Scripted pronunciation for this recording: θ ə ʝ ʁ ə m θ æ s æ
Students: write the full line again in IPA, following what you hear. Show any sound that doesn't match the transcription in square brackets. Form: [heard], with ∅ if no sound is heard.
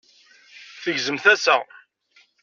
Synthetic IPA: θ ə ʝ [z] ə m θ æ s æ